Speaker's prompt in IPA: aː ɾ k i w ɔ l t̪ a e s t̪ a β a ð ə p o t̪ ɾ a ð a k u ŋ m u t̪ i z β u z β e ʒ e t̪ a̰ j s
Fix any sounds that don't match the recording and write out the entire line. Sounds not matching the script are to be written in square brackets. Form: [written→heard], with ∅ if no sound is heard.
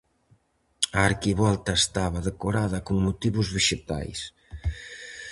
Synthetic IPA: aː ɾ k i [w→β] ɔ l t̪ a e s t̪ a β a ð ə [p→k] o [t̪→∅] ɾ a ð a k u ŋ m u t̪ i [z→∅] β u z β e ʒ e t̪ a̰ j s